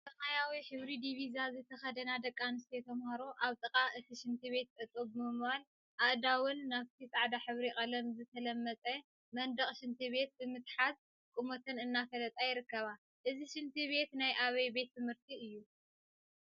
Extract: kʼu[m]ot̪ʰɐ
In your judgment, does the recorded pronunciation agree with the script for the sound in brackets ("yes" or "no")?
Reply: yes